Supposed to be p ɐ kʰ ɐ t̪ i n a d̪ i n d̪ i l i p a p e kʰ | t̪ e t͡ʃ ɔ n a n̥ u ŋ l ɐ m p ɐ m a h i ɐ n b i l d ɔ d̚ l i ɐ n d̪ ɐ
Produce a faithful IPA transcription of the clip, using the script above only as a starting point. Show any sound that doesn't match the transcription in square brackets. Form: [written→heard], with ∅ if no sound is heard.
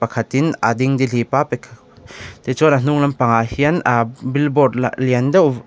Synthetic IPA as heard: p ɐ kʰ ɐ t̪ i n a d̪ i [n→ŋ] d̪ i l i p a p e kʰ | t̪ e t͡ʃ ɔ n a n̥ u ŋ l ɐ m p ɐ [m→ŋ] a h i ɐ n b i l [d→b] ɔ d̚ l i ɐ n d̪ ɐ

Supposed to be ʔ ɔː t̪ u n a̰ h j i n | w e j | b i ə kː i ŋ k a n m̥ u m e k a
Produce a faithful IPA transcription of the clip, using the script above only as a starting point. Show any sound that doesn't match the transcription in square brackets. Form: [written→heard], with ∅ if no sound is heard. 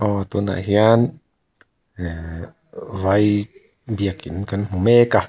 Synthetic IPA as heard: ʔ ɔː t̪ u n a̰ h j [i→a] n | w [e→a] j | b i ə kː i [ŋ→n] k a n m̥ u m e k a

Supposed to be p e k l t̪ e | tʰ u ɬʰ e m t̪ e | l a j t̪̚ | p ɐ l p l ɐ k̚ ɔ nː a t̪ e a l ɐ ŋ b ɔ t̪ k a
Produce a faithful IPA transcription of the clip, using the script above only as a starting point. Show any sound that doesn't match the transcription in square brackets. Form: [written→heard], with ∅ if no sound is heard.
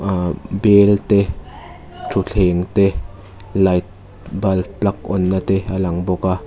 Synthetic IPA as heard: [p→b] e [k→∅] l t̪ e | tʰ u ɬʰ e [m→ŋ] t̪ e | l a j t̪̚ | [p→b] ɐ l p l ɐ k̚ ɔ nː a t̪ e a l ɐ ŋ b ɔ [t̪→∅] k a

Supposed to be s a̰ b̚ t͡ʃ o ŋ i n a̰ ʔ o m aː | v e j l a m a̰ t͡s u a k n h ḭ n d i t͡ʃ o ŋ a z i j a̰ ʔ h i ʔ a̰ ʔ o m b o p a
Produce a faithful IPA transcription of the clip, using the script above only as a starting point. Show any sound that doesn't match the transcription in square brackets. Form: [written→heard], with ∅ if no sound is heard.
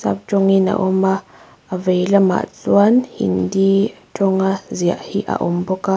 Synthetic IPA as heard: s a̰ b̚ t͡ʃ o ŋ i n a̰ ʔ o m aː | v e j l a m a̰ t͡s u a [k→∅] n h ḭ n d i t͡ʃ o ŋ a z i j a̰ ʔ h i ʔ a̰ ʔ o m b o [p→k] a

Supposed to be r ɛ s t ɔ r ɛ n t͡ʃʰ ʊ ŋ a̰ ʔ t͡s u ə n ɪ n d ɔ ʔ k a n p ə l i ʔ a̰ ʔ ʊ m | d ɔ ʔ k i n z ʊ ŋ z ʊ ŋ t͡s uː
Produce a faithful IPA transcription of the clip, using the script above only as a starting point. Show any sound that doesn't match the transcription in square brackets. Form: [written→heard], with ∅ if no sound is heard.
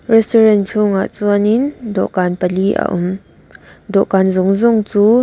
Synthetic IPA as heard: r ɛ s t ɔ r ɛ n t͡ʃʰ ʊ ŋ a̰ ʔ t͡s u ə n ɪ n d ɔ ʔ k a n p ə l i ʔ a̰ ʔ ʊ m | d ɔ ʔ k [i→a] n z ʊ ŋ z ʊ ŋ t͡s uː

